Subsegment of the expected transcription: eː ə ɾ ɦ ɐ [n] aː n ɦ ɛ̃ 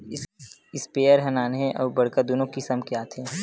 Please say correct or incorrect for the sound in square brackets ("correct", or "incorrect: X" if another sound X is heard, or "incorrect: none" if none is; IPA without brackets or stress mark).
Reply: correct